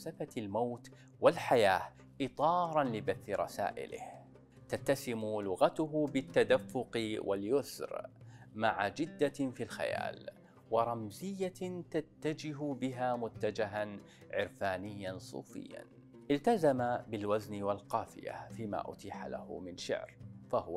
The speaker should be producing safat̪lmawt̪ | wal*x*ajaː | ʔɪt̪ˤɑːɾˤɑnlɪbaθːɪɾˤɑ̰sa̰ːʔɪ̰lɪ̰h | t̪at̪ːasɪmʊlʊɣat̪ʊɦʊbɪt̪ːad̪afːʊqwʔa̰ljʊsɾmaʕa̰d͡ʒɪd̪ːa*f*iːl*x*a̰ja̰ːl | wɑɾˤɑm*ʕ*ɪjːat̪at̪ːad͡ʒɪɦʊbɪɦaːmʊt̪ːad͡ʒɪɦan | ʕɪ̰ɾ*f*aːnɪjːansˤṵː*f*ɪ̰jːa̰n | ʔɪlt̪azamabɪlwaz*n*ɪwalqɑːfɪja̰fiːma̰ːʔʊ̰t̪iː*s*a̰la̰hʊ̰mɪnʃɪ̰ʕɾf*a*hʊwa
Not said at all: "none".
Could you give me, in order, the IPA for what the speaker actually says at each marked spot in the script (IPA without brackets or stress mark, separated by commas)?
ħ, f, x, z, f, f, n, ħ, a